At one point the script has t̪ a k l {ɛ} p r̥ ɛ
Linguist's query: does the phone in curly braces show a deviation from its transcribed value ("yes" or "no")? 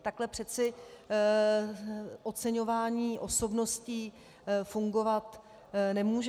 no